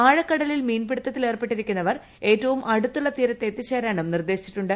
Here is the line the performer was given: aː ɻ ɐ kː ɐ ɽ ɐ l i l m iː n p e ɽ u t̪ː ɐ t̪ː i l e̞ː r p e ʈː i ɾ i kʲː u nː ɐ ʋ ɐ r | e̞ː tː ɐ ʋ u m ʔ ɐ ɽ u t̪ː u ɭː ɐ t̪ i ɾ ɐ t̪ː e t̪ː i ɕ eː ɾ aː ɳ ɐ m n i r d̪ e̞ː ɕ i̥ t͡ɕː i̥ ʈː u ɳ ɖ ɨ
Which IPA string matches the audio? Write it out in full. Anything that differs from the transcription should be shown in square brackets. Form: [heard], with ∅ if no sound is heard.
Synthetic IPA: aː ɻ ɐ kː ɐ ɽ ɐ l i l m iː n p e ɽ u t̪ː ɐ t̪ː i l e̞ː r p e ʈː i ɾ i kʲː u nː ɐ ʋ ɐ r | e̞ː tː ɐ ʋ u m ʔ ɐ ɽ u t̪ː u ɭː ɐ t̪ [iː] ɾ ɐ t̪ː e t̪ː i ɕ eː ɾ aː ɳ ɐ m n i r d̪ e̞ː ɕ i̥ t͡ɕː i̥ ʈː u ɳ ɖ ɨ